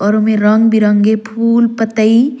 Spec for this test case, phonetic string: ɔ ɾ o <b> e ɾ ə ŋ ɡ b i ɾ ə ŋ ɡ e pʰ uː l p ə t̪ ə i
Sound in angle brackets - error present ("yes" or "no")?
yes